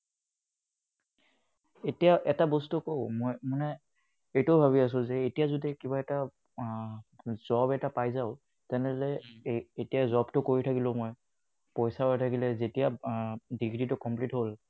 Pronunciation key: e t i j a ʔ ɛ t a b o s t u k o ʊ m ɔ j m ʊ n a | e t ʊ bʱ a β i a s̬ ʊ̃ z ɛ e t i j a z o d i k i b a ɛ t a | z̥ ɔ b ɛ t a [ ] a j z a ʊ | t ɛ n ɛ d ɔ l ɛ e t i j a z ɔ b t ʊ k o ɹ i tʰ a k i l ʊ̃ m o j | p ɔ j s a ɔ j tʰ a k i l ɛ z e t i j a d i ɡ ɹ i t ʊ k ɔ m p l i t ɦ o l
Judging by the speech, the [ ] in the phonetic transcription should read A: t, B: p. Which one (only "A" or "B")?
B